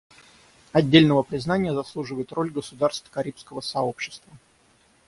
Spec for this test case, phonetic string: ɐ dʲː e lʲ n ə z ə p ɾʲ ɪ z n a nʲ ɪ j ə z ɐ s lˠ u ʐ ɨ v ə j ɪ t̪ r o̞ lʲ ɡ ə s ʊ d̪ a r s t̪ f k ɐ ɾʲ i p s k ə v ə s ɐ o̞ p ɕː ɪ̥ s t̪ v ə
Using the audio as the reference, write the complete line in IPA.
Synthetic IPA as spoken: ɐ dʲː e lʲ n ə v ə p ɾʲ ɪ z n a nʲ ɪ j ə z ɐ s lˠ u ʐ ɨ v ə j ɪ t̪ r o̞ lʲ ɡ ə s ʊ d̪ a r s t̪ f k ɐ ɾʲ i p s k ə v ə s ɐ o̞ p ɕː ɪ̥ s t̪ v ə